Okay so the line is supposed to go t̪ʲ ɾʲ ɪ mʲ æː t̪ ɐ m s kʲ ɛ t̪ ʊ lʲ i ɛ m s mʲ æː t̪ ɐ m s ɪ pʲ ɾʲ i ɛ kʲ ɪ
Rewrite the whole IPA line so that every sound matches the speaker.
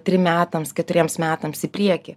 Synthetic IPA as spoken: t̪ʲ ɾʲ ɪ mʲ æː t̪ ɐ m s kʲ ɛ t̪ ʊ ɾʲ i ɛ m s mʲ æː t̪ ɐ m s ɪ pʲ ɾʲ i ɛ kʲ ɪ

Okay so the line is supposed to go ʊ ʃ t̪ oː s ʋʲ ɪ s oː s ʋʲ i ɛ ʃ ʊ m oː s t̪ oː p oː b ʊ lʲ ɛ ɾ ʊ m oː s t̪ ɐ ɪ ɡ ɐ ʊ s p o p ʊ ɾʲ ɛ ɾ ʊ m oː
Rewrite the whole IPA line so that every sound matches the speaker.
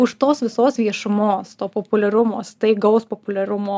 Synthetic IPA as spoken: ʊ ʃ t̪ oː s ʋʲ ɪ s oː s ʋʲ i ɛ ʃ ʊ m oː s t̪ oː p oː p ʊ lʲ ɛ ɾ ʊ m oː s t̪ ɐ ɪ ɡ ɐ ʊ s p o p ʊ lʲ ɛ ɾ ʊ m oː

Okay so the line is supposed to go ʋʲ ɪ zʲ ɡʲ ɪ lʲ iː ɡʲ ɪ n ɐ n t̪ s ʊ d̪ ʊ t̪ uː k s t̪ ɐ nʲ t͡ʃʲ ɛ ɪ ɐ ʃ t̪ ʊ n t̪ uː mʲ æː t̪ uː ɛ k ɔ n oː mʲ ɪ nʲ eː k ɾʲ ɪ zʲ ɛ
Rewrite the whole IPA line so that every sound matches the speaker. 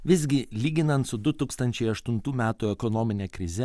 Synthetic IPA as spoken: ʋʲ ɪ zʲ ɡʲ ɪ lʲ iː ɡʲ ɪ n ɐ n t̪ s ʊ d̪ ʊ t̪ uː k s t̪ ɐ nʲ t͡ʃʲ ɛ ɪ ɐ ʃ t̪ ʊ n t̪ uː mʲ æː t̪ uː ɛ k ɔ n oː mʲ ɪ nʲ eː k ɾʲ ɪ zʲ ɛ

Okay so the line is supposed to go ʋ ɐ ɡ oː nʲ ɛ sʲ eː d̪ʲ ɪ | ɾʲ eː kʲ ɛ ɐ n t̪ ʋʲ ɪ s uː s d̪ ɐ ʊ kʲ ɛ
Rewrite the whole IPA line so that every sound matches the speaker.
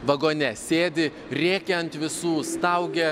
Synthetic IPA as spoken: ʋ ɐ ɡ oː nʲ ɛ sʲ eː d̪ʲ ɪ | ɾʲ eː kʲ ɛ ɐ n t̪ ʋʲ ɪ s uː s t̪ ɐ ʊ ɡʲ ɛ

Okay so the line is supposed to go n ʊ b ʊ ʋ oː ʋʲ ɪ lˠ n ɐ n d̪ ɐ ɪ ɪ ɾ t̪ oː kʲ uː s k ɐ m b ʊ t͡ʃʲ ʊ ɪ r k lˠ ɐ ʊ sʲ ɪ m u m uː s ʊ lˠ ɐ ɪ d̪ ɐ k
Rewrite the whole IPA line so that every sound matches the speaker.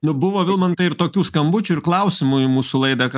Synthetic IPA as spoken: n ʊ b ʊ ʋ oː ʋʲ ɪ lˠ m ɐ n t̪ ɐ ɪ ɪ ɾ t̪ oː kʲ uː s k ɐ m b ʊ t͡ʃʲ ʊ ɪ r k lˠ ɐ ʊ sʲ ɪ m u m uː s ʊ lˠ ɐ ɪ d̪ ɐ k

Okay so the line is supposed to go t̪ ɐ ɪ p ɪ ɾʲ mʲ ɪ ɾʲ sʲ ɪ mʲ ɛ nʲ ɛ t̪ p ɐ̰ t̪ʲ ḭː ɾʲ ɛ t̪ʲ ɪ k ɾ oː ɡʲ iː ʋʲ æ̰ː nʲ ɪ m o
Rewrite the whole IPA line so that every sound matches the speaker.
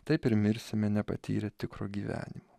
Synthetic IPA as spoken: t̪ ɐ ɪ p ɪ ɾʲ mʲ ɪ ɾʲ sʲ ɪ mʲ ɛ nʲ ɛ p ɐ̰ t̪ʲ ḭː ɾʲ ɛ t̪ʲ ɪ k ɾ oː ɡʲ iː ʋʲ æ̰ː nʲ ɪ m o

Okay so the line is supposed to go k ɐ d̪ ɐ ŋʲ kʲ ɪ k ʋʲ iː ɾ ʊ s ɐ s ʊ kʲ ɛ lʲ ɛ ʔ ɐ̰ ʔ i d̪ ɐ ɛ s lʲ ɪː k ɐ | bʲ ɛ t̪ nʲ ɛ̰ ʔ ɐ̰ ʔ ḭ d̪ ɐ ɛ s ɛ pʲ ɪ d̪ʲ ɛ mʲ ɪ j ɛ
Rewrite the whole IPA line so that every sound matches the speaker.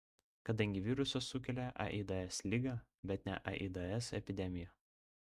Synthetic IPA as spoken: k ɐ d̪ ɐ ŋʲ ɡʲ ɪ ʋʲ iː ɾ ʊ s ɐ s ʊ kʲ ɛ lʲ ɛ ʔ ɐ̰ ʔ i d̪ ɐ ɛ s lʲ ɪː ɡ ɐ | bʲ ɛ t̪ nʲ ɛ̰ ʔ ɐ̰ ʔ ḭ d̪ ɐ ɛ s ɛ pʲ ɪ d̪ʲ ɛ mʲ ɪ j ɛ

